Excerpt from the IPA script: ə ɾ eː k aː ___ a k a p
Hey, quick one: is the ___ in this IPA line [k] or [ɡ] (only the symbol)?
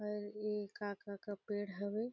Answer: k